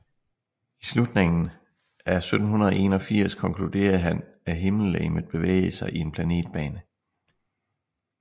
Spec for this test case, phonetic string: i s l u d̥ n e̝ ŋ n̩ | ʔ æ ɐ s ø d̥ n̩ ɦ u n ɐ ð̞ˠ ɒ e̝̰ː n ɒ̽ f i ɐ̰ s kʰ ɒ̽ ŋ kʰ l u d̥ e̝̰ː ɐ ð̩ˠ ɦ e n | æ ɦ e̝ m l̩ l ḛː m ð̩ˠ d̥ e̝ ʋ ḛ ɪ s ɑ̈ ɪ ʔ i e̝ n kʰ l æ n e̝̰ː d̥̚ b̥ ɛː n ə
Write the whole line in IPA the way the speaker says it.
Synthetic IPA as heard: i s l u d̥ n e̝ ŋ n̩ | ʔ æ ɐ s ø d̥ n̩ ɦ u n ɐ ð̞ˠ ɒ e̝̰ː n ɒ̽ f i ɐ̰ s kʰ ɒ̽ ŋ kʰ l u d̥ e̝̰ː ɐ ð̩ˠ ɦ æ n | æ ɦ e̝ m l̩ l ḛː m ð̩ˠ b̥ e̝ ʋ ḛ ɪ s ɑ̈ ɪ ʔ i e̝ n pʰ l æ n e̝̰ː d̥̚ b̥ ɛː n ə